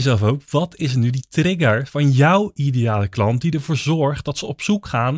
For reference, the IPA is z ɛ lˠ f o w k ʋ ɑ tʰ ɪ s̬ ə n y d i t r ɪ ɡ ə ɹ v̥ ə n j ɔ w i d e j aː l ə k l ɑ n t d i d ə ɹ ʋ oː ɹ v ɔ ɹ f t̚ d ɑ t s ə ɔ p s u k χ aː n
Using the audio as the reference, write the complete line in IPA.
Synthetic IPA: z ɛ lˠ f o w k ʋ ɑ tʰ ɪ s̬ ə n y d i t r ɪ ɡ ə ɹ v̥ ɑ n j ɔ w i d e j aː l ə k l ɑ n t d i d ə ɹ v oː ɹ z ɔ ɹ χ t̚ d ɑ t s ə ɔ p s u k χ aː n